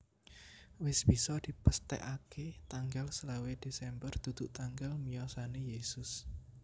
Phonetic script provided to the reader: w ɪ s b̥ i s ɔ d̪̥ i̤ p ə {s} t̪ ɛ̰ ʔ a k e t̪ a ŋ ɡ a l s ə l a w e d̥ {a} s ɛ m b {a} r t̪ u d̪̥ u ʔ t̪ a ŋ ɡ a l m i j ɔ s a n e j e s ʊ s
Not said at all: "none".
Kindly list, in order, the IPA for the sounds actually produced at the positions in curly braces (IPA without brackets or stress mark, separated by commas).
s, e, ə